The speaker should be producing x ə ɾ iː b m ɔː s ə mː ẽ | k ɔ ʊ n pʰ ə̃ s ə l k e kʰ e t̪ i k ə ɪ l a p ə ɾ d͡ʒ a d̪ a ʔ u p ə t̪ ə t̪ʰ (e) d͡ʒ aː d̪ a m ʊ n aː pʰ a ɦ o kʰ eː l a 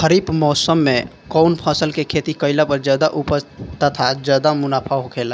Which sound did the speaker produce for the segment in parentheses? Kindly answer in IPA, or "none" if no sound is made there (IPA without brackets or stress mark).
a